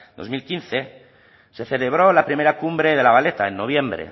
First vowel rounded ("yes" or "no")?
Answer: yes